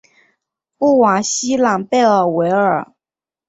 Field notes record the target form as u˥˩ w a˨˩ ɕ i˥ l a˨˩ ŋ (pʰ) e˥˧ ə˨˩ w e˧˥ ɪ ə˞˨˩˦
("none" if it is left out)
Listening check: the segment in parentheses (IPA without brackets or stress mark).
p